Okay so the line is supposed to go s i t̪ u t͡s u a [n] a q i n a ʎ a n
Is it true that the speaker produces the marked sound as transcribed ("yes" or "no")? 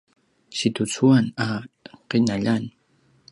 yes